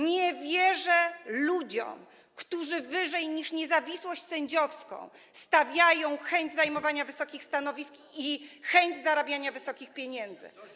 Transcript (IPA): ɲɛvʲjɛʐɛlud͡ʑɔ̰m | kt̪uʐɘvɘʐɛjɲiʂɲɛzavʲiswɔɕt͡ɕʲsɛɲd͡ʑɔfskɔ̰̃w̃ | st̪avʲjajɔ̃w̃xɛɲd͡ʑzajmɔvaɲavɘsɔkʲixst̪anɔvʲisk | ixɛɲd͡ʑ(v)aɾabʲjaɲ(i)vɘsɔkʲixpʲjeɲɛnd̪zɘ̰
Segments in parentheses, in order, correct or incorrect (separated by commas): incorrect, incorrect